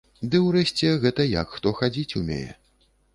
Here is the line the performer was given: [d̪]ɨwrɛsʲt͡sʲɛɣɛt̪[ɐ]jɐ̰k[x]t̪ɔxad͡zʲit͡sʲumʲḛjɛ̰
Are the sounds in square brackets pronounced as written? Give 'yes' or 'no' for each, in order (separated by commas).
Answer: yes, yes, yes